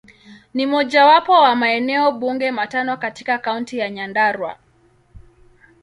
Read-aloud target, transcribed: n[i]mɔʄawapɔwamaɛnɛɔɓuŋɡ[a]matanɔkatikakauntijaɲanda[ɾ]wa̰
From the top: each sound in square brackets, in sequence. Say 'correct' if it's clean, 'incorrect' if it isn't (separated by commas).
correct, incorrect, correct